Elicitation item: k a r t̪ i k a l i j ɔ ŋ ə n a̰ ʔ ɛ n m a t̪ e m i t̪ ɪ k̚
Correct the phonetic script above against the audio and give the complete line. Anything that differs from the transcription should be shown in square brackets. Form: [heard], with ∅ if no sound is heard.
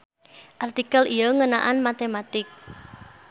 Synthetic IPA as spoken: [ʔ] a r t̪ i k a l i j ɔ ŋ ə n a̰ ʔ [a] n m a t̪ e m [a] t̪ ɪ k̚